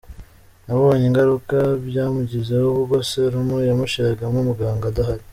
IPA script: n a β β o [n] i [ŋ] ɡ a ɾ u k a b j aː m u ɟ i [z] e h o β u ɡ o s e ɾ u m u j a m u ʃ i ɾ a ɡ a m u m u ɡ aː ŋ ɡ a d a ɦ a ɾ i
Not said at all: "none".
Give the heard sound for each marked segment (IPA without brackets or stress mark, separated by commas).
ɲ, ŋ, z